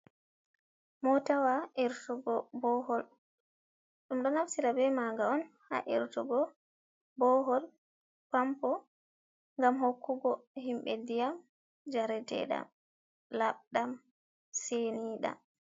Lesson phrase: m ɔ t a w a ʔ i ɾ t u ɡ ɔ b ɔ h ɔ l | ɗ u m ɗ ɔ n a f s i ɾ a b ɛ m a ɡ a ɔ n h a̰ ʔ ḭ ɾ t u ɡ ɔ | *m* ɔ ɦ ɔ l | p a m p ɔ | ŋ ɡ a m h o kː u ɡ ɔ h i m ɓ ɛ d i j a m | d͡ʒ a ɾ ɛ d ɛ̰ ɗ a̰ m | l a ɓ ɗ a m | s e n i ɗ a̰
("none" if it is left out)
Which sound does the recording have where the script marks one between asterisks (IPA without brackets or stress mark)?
b